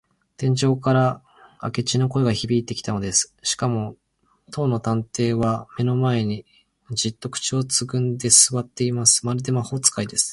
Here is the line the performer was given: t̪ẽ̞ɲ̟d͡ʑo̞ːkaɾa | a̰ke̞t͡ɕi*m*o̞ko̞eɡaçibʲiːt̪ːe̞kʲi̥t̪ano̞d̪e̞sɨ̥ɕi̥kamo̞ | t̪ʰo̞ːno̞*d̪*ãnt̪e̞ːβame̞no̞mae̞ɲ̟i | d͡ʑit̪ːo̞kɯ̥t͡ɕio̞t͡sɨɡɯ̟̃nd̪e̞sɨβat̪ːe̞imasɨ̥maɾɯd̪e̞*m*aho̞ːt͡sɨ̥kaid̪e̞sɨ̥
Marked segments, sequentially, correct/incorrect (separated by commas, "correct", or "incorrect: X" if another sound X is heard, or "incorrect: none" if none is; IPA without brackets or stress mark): incorrect: n, incorrect: t̪, correct